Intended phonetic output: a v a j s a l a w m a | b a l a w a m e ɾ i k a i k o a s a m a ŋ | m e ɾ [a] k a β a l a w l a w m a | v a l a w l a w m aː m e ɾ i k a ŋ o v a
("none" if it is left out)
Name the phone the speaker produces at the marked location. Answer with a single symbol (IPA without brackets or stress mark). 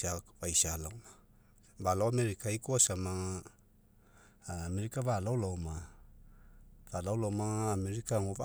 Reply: i